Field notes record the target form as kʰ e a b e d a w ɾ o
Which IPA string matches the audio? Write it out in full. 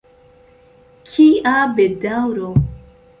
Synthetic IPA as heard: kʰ i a b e d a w ɾ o